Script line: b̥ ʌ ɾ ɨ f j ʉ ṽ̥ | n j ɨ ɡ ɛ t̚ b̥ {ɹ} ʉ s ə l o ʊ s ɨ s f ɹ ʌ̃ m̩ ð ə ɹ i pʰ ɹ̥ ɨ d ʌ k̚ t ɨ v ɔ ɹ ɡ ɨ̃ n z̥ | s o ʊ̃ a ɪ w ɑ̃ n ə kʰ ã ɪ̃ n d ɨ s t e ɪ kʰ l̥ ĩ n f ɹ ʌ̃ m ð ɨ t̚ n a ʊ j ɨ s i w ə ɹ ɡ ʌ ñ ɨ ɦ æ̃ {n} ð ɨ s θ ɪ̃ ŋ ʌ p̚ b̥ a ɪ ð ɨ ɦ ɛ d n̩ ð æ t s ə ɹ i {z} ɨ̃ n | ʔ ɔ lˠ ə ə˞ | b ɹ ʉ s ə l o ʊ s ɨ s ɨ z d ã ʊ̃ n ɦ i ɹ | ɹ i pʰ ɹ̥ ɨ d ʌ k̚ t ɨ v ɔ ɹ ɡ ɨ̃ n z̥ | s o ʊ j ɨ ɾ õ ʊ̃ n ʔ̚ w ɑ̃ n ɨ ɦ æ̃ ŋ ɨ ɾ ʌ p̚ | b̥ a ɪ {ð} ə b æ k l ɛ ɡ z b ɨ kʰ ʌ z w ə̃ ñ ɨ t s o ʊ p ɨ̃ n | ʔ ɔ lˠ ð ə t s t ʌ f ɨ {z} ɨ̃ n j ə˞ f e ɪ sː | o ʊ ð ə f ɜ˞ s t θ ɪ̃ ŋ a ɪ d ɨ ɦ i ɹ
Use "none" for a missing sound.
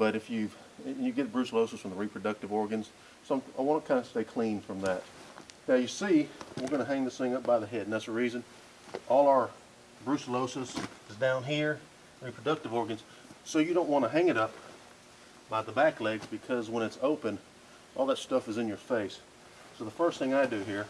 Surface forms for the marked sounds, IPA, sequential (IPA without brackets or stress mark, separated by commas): ɹ, ŋ, z, ð, z